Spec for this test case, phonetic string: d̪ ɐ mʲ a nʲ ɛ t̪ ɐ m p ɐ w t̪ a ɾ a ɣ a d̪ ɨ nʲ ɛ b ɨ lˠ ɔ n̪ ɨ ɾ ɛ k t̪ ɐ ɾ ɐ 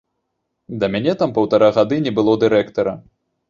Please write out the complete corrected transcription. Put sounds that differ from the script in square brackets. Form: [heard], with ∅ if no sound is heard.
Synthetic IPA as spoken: d̪ ɐ mʲ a nʲ ɛ t̪ [a] m p ɐ w t̪ a ɾ a ɣ a d̪ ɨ nʲ ɛ b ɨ lˠ ɔ [d̪] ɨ ɾ ɛ k t̪ ɐ ɾ ɐ